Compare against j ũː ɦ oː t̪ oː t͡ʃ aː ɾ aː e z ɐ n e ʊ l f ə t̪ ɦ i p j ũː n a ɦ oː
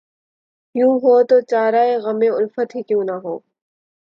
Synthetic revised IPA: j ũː ɦ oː t̪ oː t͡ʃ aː ɾ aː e ɣ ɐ m e ʊ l f ə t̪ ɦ i k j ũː n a ɦ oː